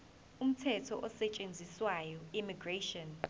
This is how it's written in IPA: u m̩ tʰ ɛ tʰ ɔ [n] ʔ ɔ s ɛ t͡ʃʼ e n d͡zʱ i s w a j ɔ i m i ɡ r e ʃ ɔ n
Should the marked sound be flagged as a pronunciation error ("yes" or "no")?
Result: yes